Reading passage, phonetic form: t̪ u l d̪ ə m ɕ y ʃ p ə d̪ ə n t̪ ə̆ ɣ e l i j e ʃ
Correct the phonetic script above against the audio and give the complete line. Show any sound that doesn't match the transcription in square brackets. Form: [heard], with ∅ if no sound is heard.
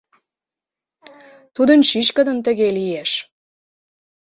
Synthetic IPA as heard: t̪ u [∅] d̪ ə [n] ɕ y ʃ [k] ə d̪ ə n t̪ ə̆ ɣ e l i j e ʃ